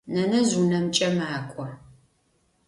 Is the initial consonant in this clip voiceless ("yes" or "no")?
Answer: no